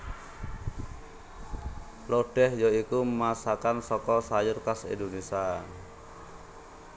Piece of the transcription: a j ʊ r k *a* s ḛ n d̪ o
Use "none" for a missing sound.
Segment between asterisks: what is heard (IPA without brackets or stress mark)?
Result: a